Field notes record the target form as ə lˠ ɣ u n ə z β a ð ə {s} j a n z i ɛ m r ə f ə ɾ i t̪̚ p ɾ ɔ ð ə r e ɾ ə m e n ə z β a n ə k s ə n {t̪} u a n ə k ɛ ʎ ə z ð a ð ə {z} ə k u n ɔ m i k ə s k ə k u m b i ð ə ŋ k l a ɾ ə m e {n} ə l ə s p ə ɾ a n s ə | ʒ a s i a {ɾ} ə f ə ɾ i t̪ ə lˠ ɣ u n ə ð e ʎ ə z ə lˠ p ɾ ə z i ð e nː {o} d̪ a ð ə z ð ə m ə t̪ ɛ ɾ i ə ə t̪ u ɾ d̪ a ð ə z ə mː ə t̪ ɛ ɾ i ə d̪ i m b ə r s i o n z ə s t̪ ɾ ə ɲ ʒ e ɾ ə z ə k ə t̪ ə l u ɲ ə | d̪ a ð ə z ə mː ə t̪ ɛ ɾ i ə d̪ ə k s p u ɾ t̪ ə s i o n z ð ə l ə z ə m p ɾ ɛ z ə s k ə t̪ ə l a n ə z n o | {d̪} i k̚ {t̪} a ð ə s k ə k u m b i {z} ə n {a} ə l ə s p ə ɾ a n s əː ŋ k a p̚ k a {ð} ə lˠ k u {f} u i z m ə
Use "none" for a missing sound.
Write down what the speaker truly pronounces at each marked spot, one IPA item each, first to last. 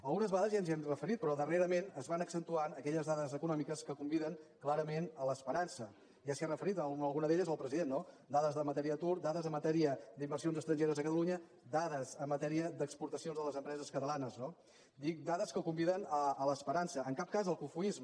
z, t̪, z, n, r, o, d̪, d̪, ð, ə, z, f

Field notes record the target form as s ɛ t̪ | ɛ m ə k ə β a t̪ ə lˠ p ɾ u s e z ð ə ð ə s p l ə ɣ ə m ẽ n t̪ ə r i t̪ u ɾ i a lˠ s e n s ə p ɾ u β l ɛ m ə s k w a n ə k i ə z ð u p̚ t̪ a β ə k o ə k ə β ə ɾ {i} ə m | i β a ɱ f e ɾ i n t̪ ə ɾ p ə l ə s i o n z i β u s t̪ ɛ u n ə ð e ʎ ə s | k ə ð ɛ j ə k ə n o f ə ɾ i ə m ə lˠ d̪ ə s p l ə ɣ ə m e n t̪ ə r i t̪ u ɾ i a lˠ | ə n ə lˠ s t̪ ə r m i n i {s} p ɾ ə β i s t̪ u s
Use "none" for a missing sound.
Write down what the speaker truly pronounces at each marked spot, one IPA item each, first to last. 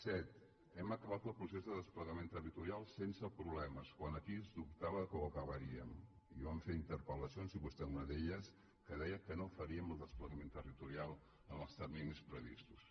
i, s

